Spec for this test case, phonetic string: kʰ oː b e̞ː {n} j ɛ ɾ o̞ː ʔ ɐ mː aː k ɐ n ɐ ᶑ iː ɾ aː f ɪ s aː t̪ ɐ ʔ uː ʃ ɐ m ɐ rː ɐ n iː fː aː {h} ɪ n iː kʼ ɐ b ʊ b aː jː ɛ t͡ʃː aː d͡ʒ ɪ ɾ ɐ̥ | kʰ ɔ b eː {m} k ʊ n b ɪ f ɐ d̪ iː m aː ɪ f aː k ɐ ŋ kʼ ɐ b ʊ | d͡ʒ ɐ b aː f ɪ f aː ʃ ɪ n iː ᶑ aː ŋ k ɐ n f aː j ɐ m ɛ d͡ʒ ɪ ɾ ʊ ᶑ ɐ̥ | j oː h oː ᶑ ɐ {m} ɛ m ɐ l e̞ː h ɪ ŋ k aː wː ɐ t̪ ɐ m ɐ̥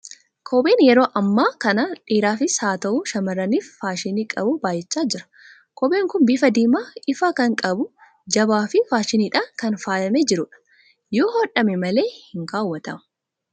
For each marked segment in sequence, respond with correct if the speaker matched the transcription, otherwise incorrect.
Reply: correct, incorrect, incorrect, correct

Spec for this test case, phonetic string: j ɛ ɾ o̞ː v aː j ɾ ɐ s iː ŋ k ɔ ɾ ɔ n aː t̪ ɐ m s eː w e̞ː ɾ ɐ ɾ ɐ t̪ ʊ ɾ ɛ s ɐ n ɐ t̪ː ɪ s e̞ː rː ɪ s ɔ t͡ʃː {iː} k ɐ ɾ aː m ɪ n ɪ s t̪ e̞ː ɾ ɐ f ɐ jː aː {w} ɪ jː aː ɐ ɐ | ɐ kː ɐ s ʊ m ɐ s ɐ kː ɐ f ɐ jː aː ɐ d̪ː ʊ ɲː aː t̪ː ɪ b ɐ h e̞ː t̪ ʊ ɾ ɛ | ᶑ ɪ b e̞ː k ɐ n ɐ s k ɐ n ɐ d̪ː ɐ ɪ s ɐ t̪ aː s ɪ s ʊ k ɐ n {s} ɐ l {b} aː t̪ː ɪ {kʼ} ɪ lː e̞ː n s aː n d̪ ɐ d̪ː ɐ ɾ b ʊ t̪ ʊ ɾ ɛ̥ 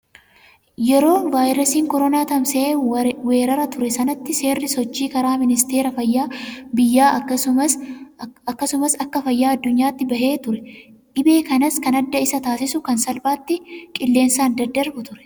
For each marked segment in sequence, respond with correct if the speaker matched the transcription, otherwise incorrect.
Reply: correct, incorrect, correct, correct, correct

